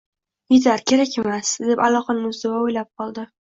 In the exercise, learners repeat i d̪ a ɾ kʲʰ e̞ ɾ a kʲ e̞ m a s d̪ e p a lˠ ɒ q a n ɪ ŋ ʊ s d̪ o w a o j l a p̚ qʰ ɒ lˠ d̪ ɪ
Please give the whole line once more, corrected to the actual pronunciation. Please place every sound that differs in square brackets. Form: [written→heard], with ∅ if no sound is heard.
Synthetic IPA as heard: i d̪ a ɾ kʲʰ e̞ ɾ a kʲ e̞ m a s d̪ e p a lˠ ɒ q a n ɪ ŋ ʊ [s→z] d̪ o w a o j l a p̚ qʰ ɒ lˠ d̪ ɪ